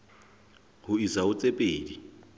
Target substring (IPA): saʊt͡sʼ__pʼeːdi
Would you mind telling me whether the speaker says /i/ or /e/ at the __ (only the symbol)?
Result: e